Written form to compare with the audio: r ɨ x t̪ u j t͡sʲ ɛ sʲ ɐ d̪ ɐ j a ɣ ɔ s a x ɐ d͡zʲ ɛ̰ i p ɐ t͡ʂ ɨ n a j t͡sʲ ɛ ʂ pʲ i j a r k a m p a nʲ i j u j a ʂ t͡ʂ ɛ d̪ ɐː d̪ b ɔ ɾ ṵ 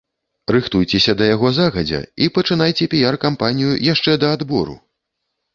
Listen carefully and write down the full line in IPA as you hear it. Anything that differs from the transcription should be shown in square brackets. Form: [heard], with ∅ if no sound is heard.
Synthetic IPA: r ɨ x t̪ u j t͡sʲ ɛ sʲ ɐ d̪ ɐ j a ɣ ɔ [z] a [ɣ] ɐ d͡zʲ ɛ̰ i p ɐ t͡ʂ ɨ n a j t͡sʲ ɛ [∅] pʲ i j a r k a m p a nʲ i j u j a ʂ t͡ʂ ɛ d̪ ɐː d̪ b ɔ ɾ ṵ